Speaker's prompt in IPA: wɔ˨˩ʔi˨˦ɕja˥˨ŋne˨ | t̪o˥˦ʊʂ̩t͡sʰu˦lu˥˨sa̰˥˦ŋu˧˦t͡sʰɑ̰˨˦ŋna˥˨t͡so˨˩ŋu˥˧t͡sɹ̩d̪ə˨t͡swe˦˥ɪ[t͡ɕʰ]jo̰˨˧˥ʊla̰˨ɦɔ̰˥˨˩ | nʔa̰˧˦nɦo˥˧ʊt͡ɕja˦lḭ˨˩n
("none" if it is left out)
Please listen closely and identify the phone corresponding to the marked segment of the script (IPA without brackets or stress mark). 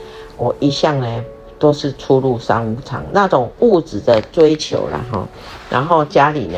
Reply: t͡ɕʰ